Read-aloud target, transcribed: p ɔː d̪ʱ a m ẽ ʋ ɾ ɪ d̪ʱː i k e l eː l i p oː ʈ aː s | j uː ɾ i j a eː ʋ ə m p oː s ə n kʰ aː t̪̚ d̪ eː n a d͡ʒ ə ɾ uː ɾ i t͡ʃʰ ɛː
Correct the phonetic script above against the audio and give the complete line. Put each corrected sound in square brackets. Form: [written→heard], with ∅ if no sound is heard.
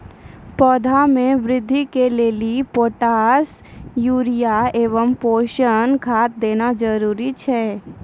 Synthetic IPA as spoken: p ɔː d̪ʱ a m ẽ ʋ ɾ ɪ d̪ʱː i k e l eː l i p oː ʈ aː s | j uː ɾ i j a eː ʋ ə m p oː [s→ʃ] ə n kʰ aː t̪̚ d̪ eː n a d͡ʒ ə ɾ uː ɾ i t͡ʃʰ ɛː